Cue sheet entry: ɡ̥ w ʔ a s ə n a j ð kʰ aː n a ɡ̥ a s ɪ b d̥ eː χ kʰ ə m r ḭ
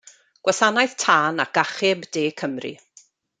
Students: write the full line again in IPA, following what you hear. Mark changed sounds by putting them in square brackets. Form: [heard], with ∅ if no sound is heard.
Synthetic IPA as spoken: ɡ̥ w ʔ a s [a] n a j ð [tʰ] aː n a ɡ̥ a [χ] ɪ b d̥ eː [∅] kʰ ə m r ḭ